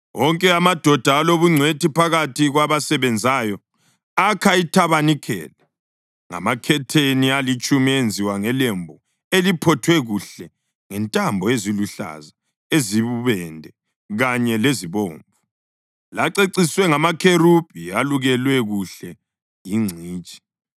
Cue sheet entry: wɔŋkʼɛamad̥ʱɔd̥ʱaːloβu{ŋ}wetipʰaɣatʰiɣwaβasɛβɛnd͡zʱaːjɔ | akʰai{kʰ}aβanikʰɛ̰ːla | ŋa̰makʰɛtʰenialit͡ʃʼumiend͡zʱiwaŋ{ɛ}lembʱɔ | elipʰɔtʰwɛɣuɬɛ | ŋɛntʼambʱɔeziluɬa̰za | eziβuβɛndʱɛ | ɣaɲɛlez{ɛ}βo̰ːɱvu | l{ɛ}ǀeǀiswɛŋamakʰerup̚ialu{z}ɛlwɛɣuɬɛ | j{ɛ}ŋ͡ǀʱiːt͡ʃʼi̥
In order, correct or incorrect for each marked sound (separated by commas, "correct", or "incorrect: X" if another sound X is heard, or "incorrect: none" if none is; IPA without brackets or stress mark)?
incorrect: ŋ͡ǀʱ, incorrect: tʰ, correct, incorrect: i, incorrect: a, incorrect: ɣ, incorrect: i